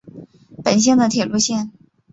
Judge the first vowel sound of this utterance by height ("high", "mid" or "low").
mid